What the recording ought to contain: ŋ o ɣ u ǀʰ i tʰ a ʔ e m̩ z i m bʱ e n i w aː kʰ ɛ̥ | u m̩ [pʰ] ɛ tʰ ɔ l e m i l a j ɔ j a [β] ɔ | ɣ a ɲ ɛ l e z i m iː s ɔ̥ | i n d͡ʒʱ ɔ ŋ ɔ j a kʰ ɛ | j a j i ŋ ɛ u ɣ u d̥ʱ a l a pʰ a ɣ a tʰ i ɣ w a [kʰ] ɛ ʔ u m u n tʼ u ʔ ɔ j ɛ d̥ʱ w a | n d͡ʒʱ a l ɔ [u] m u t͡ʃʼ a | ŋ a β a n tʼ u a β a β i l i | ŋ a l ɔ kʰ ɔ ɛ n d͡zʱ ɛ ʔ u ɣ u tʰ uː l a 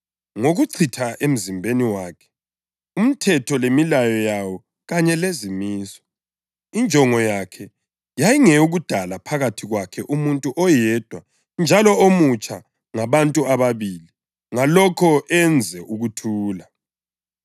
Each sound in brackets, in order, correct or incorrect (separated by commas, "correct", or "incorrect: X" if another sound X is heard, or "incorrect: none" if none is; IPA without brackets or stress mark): incorrect: tʰ, incorrect: w, correct, incorrect: o